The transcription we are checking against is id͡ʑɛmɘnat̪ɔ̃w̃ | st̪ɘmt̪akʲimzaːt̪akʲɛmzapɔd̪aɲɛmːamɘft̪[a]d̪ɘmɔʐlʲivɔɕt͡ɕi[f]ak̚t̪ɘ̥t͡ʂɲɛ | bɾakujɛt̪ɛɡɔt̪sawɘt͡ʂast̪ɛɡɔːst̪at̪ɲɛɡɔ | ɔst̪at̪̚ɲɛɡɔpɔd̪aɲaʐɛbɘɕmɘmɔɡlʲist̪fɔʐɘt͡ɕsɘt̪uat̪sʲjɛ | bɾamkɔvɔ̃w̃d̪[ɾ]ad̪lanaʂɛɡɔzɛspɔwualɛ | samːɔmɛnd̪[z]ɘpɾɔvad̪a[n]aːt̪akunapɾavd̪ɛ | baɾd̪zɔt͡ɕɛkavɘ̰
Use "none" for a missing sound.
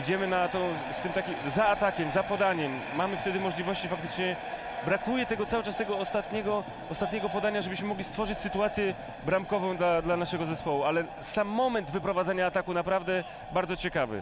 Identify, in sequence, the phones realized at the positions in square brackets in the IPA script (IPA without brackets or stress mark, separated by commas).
ɛ, f, l, v, ɲ